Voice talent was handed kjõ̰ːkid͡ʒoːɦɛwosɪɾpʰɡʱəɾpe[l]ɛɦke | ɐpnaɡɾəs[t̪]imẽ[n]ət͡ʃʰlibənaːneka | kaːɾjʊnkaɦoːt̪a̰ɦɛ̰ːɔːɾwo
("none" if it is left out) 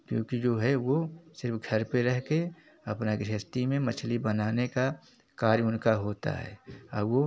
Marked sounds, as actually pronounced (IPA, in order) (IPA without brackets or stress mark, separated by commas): ɾ, t̪, m